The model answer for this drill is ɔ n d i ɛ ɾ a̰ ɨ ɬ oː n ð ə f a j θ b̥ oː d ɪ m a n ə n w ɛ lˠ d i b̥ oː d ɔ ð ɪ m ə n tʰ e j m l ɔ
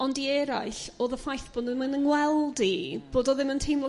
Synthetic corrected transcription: ɔ n d i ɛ ɾ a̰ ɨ ɬ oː ð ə f a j θ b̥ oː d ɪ m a n ə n w ɛ lˠ d i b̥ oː d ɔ ð ɪ m ə n tʰ e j m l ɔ